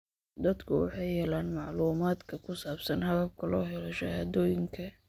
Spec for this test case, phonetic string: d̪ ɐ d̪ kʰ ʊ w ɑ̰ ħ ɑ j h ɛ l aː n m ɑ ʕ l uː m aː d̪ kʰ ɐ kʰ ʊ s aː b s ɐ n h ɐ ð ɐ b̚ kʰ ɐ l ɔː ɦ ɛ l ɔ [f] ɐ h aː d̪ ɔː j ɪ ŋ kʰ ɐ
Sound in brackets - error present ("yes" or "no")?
yes